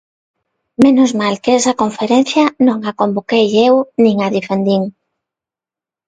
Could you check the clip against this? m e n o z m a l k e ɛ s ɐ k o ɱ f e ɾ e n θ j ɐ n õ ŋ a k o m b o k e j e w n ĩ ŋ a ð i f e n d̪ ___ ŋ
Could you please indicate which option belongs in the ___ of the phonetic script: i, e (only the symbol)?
i